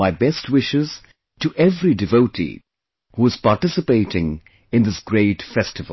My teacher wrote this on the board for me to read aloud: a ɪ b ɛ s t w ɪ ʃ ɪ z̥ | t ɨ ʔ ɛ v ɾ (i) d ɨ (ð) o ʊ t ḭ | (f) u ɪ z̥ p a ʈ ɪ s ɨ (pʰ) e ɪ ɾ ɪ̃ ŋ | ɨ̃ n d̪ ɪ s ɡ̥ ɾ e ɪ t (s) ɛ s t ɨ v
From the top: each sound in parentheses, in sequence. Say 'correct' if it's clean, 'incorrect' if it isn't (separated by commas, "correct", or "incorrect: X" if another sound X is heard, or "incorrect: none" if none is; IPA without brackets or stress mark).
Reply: correct, incorrect: v, incorrect: h, incorrect: p, incorrect: f